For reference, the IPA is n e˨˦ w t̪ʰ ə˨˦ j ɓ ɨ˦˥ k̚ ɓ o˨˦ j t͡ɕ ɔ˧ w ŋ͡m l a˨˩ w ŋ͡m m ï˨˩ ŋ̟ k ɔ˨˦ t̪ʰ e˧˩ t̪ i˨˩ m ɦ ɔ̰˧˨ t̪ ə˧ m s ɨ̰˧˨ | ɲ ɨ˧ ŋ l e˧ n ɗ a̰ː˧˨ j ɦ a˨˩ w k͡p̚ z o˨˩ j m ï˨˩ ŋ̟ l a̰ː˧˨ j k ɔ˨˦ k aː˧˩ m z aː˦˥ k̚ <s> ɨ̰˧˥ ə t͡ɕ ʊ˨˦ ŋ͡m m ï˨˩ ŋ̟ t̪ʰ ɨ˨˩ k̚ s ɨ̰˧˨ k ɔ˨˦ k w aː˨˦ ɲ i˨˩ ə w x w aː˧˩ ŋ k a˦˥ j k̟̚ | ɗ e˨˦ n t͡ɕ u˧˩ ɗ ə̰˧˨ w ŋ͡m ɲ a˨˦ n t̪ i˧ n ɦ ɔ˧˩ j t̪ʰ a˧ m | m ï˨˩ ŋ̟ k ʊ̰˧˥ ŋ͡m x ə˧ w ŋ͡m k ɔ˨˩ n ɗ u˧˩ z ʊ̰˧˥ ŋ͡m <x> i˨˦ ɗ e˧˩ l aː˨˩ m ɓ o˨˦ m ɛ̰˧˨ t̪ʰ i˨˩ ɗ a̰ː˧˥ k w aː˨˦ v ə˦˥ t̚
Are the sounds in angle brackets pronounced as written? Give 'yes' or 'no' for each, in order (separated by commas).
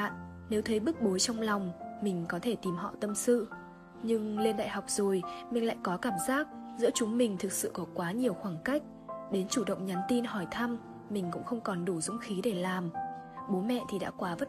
no, yes